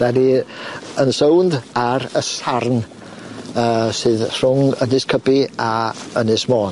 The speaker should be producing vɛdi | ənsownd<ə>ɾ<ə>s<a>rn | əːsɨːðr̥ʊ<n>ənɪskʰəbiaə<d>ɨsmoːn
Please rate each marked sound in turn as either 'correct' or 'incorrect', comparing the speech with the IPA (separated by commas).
incorrect, correct, correct, incorrect, incorrect